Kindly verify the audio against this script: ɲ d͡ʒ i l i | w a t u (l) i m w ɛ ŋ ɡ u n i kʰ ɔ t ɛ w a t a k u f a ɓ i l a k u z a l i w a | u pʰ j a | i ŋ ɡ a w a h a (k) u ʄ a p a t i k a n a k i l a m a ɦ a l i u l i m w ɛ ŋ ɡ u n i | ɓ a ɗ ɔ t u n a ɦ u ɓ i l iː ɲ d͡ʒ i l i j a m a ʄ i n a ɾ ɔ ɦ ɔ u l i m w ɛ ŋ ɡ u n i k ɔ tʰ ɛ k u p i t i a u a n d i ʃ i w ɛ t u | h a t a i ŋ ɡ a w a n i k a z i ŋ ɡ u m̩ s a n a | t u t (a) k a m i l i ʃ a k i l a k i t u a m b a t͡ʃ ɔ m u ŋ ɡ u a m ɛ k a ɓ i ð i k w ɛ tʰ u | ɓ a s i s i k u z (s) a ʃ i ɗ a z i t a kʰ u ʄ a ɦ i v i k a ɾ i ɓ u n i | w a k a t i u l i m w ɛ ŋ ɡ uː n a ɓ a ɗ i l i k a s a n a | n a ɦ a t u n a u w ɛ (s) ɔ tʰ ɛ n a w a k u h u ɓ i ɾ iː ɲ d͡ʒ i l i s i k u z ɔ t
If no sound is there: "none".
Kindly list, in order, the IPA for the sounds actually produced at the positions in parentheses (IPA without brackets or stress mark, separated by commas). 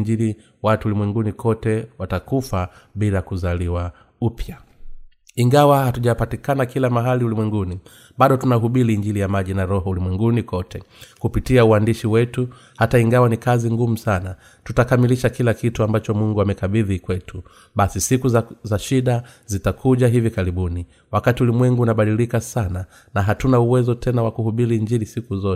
l, t, a, z, z